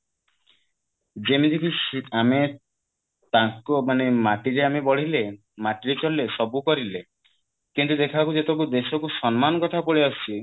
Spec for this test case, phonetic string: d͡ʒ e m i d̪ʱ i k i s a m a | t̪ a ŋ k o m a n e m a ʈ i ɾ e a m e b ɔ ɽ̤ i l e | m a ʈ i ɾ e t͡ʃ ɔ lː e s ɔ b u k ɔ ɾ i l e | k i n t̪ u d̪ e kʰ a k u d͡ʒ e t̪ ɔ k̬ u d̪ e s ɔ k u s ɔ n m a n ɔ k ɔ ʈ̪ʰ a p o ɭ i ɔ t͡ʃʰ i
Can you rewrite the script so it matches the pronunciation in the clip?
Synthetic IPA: d͡ʒ e m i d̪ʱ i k i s a m e | t̪ a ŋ k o m a n e m a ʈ i ɾ e a m e b ɔ ɽ̤ i l e | m a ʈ i ɾ e t͡ʃ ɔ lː e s ɔ b u k ɔ ɾ i l e | k i n t̪ u d̪ e kʰ a k u d͡ʒ e t̪ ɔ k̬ u d̪ e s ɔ k u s ɔ n m a n ɔ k ɔ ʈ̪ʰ a p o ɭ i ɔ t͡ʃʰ i

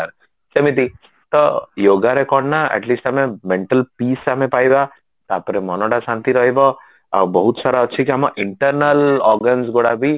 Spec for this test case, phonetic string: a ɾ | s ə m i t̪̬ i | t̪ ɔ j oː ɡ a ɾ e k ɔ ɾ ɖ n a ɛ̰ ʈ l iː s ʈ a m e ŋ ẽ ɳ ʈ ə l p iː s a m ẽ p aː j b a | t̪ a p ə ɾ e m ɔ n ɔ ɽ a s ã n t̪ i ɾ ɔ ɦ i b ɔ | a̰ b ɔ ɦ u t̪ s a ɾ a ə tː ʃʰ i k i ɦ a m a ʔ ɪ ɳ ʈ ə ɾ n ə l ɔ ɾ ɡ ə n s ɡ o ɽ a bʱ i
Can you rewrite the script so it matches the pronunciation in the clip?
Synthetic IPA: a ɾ | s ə m i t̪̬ i | t̪ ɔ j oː ɡ a ɾ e k ɔ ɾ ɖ n a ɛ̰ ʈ l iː s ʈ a m e m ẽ ɳ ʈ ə l p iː s a m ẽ p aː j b a | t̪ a p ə ɾ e m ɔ n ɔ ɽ a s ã n t̪ i ɾ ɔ ɦ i b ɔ | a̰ b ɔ ɦ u t̪ s a ɾ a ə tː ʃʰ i k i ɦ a m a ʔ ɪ ɳ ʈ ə ɾ n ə l ɔ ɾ ɡ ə n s ɡ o ɽ a bʱ i

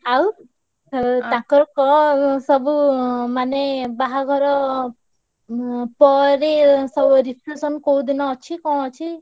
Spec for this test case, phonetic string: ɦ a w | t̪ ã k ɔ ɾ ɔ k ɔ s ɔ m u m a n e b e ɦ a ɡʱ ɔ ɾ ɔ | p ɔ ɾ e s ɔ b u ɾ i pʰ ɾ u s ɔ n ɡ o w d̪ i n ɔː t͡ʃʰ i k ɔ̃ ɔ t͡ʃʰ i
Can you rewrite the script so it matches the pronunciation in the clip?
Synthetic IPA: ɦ a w | t̪ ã k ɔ ɾ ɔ k ɔ s ɔ b u m a n e b a ɦ a ɡʱ ɔ ɾ ɔ | p ɔ ɾ e s ɔ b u ɾ i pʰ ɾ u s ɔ n k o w d̪ i n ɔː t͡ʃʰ i k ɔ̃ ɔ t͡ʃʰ i

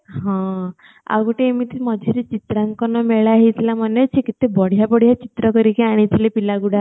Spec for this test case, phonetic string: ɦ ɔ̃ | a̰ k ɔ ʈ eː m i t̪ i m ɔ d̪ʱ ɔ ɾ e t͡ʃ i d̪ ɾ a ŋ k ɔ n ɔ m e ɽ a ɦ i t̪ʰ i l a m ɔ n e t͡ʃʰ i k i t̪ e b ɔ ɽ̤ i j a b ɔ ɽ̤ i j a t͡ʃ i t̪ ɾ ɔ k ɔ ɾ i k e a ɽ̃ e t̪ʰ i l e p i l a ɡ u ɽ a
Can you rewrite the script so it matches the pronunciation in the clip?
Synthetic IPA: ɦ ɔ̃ | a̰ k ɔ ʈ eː m i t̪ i m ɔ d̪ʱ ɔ ɾ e t͡ʃ i t̪ ɾ a ŋ k ɔ n ɔ m e ɭ a ɦ i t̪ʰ i l a m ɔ n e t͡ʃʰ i k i t̪ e b ɔ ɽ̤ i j a b ɔ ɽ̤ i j a t͡ʃ i t̪ ɾ ɔ k ɔ ɾ i k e a ɽ̃ i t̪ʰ i l e p i l a ɡ u ɽ a

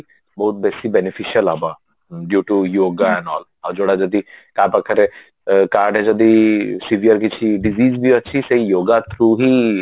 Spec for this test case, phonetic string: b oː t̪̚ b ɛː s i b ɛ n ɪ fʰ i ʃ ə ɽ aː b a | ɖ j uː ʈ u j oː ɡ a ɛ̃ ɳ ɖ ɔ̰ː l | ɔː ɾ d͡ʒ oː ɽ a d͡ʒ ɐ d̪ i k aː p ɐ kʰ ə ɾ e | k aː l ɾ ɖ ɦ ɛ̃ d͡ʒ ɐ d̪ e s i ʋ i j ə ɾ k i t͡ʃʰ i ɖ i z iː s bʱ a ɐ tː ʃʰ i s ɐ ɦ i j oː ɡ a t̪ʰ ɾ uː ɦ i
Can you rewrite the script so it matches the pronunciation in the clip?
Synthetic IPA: b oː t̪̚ b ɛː s i b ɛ n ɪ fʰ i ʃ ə l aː b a | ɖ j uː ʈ u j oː ɡ a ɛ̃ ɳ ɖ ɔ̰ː l | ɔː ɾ d͡ʒ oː ɽ a d͡ʒ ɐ d̪ i k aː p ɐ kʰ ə ɾ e | k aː ɾ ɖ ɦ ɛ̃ d͡ʒ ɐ d̪ i s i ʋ i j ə ɾ k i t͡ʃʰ i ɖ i z iː z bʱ i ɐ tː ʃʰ i s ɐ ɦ i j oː ɡ a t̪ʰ ɾ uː ɦ i

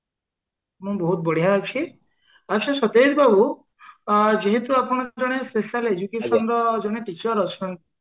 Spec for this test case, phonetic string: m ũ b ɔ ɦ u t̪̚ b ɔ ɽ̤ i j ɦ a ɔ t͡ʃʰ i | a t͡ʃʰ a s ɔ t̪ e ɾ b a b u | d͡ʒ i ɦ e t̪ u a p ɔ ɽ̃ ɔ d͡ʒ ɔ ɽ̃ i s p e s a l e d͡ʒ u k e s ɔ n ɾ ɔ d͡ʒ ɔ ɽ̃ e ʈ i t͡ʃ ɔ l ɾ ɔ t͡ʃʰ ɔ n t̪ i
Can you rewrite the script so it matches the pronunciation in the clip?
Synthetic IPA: m ũ b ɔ ɦ u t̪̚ b ɔ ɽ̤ i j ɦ a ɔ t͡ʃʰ i | a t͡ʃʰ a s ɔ t̪ e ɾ b a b u | d͡ʒ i ɦ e t̪ u a p ɔ ɽ̃ ɔ d͡ʒ ɔ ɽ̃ e s p e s a l e d͡ʒ u k e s ɔ n ɾ ɔ d͡ʒ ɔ ɽ̃ e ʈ i t͡ʃ ɔ ɾ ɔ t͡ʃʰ ɔ n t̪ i

